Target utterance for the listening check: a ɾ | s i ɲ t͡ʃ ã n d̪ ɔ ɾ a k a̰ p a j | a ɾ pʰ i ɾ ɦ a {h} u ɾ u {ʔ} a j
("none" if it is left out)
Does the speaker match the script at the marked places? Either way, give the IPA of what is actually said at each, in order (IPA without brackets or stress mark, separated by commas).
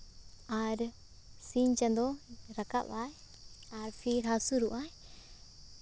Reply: s, ʔ